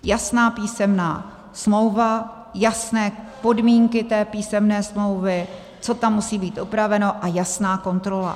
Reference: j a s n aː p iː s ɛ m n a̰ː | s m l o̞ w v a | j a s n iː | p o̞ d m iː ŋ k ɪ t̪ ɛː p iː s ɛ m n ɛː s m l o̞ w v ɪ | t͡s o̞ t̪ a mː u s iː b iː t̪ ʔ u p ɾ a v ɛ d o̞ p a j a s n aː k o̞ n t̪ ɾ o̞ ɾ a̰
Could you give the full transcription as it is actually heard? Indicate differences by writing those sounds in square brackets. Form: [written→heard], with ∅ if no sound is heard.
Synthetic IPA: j a s n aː p iː s ɛ m n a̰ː | s m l o̞ w v a | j a s n [iː→ɛː] | p o̞ d m iː ŋ k ɪ t̪ ɛː p iː s ɛ m n ɛː s m l o̞ w v ɪ | t͡s o̞ t̪ a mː u s iː b iː t̪ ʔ u p ɾ a v ɛ [d→n] o̞ [p→ʔ] a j a s n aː k o̞ n t̪ ɾ o̞ [ɾ→l] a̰